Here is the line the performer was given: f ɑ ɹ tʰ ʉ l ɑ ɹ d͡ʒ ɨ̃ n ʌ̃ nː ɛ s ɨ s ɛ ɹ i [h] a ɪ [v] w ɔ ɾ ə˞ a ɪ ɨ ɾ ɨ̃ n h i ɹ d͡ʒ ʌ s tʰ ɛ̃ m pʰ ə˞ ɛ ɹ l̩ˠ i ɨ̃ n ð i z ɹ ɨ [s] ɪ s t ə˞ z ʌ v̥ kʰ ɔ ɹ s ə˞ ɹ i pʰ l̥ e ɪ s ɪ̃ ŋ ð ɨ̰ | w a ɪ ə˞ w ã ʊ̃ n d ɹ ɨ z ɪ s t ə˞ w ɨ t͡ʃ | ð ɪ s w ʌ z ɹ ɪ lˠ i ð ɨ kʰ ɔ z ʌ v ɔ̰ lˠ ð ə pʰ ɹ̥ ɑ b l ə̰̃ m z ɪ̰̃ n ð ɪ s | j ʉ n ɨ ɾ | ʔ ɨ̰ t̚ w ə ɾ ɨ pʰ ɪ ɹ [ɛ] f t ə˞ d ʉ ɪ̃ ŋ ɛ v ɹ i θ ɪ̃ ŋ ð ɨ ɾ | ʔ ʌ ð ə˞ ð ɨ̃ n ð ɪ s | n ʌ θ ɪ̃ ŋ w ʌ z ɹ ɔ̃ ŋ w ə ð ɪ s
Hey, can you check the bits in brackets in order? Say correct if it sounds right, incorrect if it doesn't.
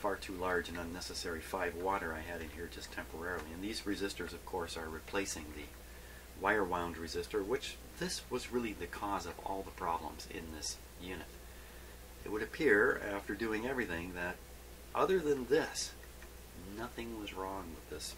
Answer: incorrect: f, correct, incorrect: z, incorrect: æ

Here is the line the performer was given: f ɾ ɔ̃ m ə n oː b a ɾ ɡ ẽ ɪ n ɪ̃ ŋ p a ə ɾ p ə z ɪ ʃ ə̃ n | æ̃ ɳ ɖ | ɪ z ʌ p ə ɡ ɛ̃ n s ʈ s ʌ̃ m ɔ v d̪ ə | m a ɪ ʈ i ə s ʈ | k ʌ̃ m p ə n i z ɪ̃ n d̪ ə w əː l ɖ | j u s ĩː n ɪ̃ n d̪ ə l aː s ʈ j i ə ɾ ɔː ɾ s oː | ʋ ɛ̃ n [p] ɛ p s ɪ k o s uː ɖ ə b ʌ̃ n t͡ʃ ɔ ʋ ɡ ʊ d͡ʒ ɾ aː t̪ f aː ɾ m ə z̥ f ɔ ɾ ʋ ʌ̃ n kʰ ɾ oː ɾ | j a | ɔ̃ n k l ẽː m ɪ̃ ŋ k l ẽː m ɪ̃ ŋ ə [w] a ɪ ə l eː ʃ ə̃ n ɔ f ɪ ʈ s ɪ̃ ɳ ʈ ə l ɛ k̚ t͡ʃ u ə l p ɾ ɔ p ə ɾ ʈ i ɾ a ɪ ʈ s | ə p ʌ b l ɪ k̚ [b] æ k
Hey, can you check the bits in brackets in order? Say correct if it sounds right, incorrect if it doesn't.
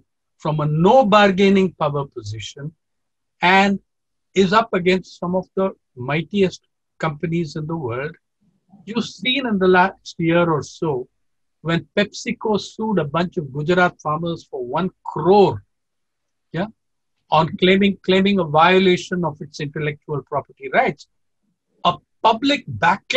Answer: correct, incorrect: ʋ, correct

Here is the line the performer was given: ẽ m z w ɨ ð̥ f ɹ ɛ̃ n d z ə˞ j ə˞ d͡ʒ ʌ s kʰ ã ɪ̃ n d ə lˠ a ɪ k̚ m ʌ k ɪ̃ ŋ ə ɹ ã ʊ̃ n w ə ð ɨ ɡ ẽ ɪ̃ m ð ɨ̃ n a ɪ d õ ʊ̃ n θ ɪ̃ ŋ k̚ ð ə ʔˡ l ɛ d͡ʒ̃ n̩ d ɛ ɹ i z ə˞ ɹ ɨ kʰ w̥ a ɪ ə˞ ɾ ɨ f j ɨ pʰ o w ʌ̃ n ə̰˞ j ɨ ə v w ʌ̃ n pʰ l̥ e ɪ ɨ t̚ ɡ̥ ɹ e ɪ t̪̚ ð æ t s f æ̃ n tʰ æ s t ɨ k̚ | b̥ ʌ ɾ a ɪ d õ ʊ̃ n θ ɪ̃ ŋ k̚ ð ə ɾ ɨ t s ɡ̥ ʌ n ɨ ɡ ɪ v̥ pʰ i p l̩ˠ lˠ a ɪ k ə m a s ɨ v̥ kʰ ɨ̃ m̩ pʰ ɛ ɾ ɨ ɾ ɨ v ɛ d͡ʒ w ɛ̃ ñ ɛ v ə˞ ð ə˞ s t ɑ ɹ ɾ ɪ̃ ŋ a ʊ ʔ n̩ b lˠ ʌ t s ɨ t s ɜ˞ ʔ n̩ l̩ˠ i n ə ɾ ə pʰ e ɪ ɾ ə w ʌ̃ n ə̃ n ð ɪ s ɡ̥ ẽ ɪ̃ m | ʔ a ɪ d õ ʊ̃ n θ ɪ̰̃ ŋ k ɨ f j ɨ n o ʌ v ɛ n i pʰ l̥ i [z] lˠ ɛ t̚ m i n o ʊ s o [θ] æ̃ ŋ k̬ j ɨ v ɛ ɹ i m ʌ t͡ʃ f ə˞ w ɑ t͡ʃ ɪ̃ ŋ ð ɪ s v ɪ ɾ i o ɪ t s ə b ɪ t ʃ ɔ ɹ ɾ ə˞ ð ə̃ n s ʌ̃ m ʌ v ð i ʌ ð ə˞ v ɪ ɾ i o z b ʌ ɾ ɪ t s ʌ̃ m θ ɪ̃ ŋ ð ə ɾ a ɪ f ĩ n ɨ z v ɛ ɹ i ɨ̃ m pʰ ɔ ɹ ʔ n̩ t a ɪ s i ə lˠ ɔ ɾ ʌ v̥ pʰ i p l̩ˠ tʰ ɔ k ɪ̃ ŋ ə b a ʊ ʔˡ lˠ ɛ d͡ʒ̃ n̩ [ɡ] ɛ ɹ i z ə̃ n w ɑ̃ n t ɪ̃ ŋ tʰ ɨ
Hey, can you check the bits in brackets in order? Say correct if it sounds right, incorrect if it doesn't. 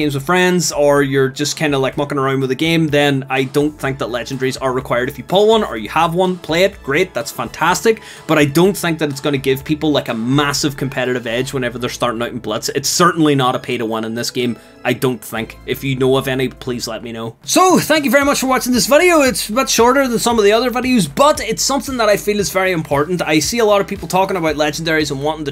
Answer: correct, correct, incorrect: d

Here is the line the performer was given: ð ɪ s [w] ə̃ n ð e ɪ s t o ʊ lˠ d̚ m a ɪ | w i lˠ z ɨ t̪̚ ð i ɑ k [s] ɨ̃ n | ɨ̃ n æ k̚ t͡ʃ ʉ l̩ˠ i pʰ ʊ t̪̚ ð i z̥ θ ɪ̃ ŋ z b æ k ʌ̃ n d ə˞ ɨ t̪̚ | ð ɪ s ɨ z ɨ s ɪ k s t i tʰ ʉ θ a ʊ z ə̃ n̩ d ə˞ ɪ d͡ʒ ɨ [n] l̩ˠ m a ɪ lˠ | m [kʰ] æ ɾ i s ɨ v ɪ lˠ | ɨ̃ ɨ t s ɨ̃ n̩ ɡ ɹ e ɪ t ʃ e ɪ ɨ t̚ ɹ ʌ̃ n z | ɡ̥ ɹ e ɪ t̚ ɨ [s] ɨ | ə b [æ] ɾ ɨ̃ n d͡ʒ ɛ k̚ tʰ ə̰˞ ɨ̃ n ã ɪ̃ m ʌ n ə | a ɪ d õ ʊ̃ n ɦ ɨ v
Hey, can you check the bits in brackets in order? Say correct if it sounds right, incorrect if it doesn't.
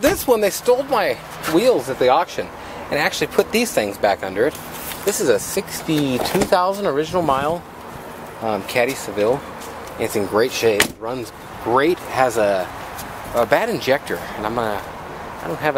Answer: correct, incorrect: ʃ, correct, correct, incorrect: z, correct

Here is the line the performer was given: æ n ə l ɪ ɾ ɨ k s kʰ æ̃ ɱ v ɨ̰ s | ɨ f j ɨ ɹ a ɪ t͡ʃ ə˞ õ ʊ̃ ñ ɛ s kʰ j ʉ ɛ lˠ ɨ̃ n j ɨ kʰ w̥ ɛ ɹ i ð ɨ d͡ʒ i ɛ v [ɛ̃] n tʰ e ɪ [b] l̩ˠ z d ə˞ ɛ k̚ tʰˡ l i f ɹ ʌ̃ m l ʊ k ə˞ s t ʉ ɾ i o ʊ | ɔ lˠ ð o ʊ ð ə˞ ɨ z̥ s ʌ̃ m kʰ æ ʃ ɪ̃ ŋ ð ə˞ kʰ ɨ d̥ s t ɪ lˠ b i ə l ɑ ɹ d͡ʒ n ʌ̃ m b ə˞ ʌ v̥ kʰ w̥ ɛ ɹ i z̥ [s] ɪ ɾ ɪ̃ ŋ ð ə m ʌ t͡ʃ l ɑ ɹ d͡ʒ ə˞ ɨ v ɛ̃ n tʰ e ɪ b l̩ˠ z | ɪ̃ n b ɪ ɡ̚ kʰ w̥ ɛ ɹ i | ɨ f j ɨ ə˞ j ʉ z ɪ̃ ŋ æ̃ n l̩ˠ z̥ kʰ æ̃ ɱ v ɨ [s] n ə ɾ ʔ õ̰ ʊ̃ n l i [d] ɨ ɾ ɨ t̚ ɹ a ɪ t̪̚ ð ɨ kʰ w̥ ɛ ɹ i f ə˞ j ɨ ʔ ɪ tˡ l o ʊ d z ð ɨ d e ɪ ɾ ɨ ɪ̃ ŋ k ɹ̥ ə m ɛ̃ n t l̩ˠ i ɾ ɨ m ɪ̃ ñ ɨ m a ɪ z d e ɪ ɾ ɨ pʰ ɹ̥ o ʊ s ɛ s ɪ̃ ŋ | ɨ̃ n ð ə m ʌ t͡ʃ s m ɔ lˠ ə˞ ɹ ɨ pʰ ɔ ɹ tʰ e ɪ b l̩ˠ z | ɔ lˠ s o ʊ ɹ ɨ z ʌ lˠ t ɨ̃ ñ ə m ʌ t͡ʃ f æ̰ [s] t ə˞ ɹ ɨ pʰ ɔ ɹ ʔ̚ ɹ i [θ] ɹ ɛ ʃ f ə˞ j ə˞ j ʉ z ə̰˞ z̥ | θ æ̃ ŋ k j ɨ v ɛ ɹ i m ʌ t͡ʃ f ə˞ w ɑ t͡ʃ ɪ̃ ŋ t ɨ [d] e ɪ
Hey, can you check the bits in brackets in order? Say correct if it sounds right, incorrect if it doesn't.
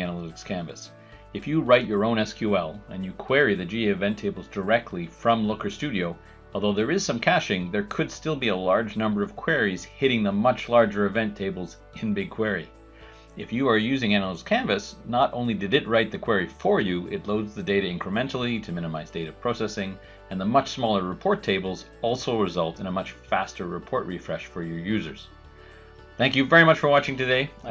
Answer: correct, correct, incorrect: h, correct, correct, correct, incorrect: f, correct

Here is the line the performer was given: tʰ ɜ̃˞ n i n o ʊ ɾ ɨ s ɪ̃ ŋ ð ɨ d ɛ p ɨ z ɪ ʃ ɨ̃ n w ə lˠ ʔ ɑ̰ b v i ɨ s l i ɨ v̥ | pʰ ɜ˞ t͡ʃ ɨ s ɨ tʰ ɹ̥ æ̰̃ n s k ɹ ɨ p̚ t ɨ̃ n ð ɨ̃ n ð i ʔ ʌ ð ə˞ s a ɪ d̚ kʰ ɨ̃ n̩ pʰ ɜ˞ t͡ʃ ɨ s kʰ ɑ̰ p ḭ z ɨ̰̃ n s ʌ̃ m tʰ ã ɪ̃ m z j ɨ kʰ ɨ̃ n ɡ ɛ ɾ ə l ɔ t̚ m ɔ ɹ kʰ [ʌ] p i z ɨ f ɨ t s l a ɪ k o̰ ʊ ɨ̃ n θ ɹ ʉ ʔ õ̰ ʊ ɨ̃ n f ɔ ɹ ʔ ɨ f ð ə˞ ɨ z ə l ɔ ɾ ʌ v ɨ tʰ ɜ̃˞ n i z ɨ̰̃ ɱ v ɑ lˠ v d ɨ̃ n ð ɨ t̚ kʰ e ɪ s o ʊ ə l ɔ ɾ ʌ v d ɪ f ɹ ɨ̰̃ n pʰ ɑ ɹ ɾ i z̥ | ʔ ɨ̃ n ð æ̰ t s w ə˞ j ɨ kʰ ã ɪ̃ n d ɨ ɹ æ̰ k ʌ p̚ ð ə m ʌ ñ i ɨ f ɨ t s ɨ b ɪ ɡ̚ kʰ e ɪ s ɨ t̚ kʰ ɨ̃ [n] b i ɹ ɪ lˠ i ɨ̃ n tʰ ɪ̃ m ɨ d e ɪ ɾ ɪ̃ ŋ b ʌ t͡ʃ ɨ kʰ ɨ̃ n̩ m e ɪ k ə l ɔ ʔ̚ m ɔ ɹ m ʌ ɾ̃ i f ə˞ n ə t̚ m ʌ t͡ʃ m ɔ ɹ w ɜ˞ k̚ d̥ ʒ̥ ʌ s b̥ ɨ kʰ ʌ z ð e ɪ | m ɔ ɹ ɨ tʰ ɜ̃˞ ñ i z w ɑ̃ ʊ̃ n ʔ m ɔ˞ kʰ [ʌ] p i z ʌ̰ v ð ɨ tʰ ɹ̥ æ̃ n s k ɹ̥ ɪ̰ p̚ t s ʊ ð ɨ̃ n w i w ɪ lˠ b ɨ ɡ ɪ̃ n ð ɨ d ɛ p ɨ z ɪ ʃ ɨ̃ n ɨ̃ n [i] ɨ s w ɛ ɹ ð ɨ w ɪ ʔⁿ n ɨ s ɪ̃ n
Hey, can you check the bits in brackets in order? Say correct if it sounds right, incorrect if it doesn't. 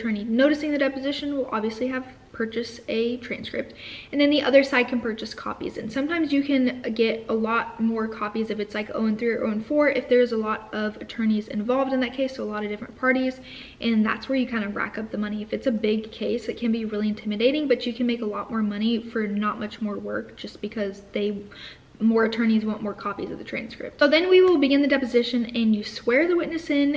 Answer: incorrect: ɑ, correct, incorrect: ɑ, incorrect: j

